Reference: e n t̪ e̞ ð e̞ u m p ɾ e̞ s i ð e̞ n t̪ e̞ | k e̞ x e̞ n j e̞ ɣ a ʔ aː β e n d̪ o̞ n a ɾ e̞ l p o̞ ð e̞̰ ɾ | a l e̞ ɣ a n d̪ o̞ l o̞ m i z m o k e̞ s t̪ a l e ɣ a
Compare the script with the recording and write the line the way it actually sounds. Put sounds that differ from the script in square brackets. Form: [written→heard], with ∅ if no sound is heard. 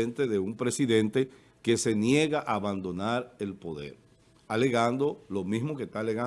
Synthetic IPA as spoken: e n t̪ e̞ ð e̞ u m p ɾ e̞ s i ð e̞ n t̪ e̞ | k e̞ [x→s] e̞ n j e̞ ɣ a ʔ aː β [e→a] n d̪ o̞ n a ɾ e̞ l p o̞ ð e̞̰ ɾ | a l e̞ ɣ a n d̪ o̞ l o̞ m i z m o k e̞ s t̪ a l e ɣ a

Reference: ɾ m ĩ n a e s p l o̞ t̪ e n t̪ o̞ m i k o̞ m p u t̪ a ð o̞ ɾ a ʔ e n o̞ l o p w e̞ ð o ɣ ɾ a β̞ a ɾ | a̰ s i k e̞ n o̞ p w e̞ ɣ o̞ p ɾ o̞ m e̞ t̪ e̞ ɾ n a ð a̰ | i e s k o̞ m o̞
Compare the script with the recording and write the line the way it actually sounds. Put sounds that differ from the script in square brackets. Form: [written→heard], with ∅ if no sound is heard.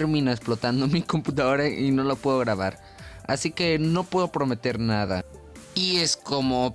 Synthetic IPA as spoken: ɾ m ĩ n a e s p l o̞ t̪ [e→a] n [t̪→d̪] o̞ m i k o̞ m p u t̪ a ð o̞ ɾ a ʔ [e→i] n o̞ l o p w e̞ ð o ɣ ɾ a β̞ a ɾ | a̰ s i k e̞ n o̞ p w e̞ [ɣ→ð] o̞ p ɾ o̞ m e̞ t̪ e̞ ɾ n a ð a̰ | i e s k o̞ m o̞

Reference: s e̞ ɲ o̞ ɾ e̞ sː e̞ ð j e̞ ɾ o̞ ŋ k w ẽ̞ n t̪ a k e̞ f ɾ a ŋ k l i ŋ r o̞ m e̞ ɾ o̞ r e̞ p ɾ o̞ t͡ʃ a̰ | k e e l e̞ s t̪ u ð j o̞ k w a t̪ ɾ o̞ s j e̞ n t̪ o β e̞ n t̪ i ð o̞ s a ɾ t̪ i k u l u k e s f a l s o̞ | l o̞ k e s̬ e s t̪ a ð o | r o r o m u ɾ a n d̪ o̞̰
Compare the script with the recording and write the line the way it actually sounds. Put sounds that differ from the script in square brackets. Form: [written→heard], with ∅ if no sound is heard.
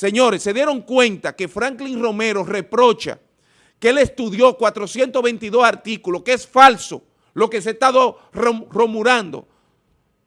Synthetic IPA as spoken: s e̞ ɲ o̞ ɾ e̞ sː e̞ ð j e̞ ɾ o̞ ŋ k w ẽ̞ n t̪ a k e̞ f ɾ a ŋ k l i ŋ r o̞ m e̞ ɾ o̞ r e̞ p ɾ o̞ t͡ʃ a̰ | k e e l e̞ s t̪ u ð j o̞ k w a t̪ ɾ o̞ s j e̞ n t̪ o β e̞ n t̪ i ð o̞ s a ɾ t̪ i k u l [u→o] k e s f a l s o̞ | l o̞ k e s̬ e s t̪ a ð o | r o r o m u ɾ a n d̪ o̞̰

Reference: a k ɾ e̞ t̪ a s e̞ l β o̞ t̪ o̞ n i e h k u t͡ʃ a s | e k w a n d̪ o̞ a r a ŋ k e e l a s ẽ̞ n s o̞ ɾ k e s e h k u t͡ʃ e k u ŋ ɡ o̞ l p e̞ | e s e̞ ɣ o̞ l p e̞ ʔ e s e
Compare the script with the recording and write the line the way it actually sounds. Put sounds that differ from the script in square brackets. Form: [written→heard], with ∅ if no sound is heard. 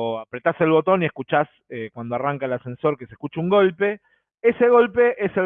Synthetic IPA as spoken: a [k→p] ɾ e̞ t̪ a s e̞ l β o̞ t̪ o̞ n i e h k u t͡ʃ a s | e k w a n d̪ o̞ a r a ŋ k [e→a] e l a s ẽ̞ n s o̞ ɾ k e s e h k u t͡ʃ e [k→∅] u ŋ ɡ o̞ l p e̞ | e s e̞ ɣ o̞ l p e̞ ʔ e s e

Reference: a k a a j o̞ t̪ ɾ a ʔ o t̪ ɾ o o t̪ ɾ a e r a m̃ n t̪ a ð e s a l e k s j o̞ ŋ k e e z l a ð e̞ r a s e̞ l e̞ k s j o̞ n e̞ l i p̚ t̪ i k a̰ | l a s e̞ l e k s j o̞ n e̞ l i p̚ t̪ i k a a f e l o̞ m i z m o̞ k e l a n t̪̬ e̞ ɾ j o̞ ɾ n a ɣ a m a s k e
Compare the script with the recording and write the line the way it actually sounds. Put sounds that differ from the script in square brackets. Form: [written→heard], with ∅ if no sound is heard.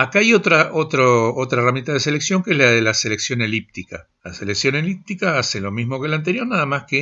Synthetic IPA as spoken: a k a a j o̞ t̪ ɾ a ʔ o t̪ ɾ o o t̪ ɾ a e r a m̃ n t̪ a ð e s [a→e] l e k s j o̞ ŋ k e e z l a ð e̞ [r→l] a s e̞ l e̞ k s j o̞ n e̞ l i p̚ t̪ i k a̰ | l a s e̞ l e k s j o̞ n e̞ l i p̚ t̪ i k a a [f→s] e l o̞ m i z m o̞ k e l a n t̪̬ e̞ ɾ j o̞ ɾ n a [ɣ→ð] a m a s k e

